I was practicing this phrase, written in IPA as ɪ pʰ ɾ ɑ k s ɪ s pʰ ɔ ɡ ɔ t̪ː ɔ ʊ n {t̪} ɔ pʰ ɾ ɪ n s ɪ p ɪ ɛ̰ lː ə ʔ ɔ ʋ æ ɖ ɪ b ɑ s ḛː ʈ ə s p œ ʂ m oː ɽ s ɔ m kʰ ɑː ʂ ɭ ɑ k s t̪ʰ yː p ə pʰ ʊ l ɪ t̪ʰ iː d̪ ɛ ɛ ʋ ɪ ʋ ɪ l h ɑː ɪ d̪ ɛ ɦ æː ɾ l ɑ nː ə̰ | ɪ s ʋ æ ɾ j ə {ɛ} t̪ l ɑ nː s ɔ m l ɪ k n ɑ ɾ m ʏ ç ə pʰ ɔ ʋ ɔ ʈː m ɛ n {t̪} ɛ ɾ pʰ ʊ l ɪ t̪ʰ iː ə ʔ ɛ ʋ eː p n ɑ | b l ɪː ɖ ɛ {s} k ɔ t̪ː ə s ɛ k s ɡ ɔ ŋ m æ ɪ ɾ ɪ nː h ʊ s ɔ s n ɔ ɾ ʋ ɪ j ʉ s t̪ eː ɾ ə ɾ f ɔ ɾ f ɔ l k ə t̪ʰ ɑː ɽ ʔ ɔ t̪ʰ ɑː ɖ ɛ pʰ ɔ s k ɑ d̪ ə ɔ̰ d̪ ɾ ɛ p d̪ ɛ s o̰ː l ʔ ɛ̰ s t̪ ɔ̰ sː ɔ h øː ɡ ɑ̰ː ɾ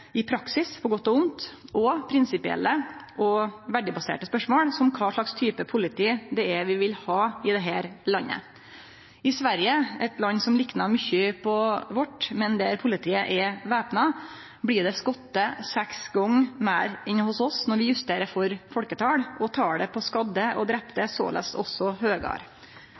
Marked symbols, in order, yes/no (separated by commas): yes, yes, no, yes